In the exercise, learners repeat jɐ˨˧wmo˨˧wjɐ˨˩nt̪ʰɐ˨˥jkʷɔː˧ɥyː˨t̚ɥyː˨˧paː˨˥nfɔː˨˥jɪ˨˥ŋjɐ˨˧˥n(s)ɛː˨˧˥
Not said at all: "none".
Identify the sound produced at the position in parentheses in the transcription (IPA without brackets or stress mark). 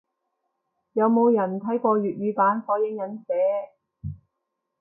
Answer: s